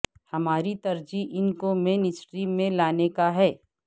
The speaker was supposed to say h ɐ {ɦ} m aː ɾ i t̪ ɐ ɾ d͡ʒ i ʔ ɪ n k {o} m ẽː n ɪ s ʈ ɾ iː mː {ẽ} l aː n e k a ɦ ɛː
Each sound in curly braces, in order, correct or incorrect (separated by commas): incorrect, correct, correct